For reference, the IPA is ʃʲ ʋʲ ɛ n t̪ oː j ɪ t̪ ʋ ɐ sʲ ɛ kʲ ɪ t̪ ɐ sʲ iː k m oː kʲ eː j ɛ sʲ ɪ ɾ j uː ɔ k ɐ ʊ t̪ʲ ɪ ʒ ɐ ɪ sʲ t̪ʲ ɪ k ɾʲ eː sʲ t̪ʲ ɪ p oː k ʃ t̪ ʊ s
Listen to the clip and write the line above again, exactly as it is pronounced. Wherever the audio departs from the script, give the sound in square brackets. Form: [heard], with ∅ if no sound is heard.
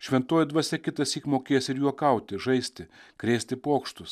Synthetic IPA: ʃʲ ʋʲ ɛ n t̪ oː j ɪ [d̪] ʋ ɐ sʲ ɛ kʲ ɪ t̪ ɐ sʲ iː k m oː kʲ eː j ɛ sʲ ɪ ɾ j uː ɔ k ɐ ʊ t̪ʲ ɪ ʒ ɐ ɪ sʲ t̪ʲ ɪ k ɾʲ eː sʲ t̪ʲ ɪ p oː k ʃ t̪ ʊ s